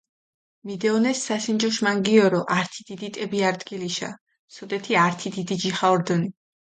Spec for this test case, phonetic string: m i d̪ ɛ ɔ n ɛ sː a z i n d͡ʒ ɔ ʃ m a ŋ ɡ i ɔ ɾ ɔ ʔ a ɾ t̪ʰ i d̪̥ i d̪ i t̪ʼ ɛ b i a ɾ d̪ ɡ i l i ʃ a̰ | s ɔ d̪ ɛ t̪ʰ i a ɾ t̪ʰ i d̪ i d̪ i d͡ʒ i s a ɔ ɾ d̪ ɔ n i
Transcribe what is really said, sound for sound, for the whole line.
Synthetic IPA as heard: m i d̪ ɛ ɔ n ɛ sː a s i n d͡ʒ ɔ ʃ m a ŋ ɡ i ɔ ɾ ɔ ʔ a ɾ t̪ʰ i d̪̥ i d̪ i t̪ʼ ɛ b i a ɾ d̪ ɡ i l i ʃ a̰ | s ɔ d̪ ɛ t̪ʰ i a ɾ t̪ʰ i d̪ i d̪ i d͡ʒ i χ a ɔ ɾ d̪ ɔ n i